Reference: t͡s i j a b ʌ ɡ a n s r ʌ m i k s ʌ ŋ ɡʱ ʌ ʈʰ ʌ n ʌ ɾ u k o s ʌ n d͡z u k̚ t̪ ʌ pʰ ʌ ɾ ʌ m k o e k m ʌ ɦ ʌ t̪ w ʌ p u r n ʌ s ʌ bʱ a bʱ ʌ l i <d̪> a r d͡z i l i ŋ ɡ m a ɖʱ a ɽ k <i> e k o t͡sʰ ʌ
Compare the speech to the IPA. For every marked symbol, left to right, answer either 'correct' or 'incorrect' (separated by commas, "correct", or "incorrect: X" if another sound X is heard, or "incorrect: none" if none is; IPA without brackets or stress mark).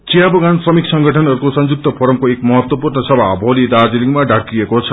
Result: correct, correct